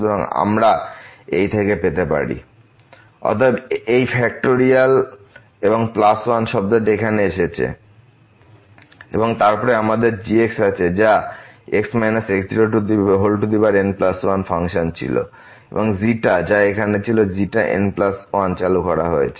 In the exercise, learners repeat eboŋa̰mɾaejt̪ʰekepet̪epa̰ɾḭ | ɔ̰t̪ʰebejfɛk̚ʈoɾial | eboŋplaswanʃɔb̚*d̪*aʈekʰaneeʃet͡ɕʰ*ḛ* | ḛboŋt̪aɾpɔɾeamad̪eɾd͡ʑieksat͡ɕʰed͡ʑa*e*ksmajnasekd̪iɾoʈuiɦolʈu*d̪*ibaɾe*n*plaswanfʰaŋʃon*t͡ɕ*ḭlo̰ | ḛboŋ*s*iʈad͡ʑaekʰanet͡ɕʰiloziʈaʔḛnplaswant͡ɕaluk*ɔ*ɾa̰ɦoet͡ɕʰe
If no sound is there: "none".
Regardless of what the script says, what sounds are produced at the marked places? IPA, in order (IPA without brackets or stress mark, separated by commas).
d̪, ḛ, e, d̪, n, t͡ɕʰ, z, ɔ